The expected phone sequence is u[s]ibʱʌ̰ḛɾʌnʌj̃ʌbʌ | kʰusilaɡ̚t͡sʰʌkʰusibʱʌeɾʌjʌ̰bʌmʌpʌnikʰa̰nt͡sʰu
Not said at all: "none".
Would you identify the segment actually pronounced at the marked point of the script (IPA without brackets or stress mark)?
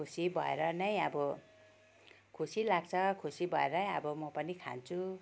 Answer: s